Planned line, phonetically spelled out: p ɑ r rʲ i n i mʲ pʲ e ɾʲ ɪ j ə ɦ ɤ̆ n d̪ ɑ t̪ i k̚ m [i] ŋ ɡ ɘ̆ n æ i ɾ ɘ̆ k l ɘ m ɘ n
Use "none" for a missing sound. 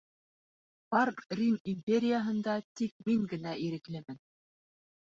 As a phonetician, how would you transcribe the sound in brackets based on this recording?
i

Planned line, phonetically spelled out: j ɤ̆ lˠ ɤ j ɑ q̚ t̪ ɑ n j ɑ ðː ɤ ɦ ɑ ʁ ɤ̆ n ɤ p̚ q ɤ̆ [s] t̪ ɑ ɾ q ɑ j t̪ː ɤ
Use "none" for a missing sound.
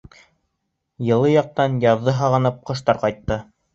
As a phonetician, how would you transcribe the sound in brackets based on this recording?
ʃ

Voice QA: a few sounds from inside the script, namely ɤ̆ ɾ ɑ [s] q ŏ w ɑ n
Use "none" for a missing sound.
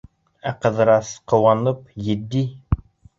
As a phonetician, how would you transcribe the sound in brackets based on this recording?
s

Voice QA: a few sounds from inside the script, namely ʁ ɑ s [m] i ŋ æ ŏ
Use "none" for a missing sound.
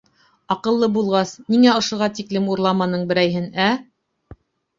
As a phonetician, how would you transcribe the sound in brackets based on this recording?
n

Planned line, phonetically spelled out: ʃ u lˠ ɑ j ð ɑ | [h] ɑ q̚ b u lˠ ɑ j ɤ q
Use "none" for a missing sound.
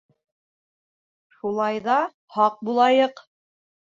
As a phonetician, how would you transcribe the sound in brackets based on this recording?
h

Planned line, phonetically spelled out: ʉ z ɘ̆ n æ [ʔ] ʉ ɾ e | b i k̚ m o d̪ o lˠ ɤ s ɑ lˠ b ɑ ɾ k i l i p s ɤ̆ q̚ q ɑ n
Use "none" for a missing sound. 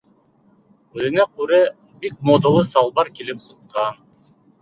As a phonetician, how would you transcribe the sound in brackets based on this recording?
q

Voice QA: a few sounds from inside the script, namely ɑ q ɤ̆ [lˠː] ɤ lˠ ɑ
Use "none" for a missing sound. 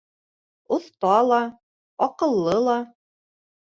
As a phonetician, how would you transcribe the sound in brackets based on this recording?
lˠː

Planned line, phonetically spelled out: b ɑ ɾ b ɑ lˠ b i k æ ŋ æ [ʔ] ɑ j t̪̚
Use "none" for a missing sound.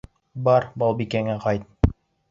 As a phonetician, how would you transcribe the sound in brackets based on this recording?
q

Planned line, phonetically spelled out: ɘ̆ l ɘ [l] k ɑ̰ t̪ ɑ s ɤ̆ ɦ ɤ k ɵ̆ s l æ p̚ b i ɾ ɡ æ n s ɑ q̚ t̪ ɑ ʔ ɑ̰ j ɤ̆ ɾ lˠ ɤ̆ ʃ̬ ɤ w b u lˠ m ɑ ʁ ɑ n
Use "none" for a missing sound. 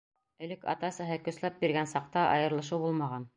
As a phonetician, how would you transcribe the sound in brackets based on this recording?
none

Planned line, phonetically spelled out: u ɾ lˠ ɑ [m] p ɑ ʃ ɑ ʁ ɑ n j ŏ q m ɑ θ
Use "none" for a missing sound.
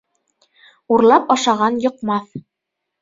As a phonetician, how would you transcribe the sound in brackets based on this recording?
none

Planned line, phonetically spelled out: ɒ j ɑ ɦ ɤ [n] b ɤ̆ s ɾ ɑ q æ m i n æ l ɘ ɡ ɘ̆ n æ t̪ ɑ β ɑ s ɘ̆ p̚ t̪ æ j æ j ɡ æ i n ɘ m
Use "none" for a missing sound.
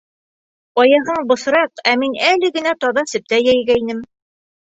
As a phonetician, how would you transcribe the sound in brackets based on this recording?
ɴ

